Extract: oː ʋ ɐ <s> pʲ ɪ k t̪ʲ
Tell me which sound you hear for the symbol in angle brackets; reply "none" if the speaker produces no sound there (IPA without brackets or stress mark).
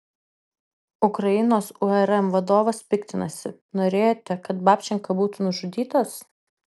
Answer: s